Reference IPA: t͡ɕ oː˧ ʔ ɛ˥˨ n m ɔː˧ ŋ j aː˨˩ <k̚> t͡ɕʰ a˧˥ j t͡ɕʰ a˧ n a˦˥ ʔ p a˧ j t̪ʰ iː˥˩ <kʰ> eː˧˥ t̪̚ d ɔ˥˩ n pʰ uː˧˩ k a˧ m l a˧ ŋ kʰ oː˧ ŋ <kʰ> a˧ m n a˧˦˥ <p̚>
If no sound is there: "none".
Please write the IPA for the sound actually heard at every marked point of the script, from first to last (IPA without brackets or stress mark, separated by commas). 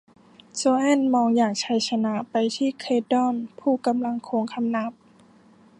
k̚, kʰ, kʰ, p̚